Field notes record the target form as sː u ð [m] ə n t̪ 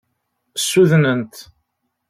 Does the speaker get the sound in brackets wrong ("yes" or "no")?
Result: yes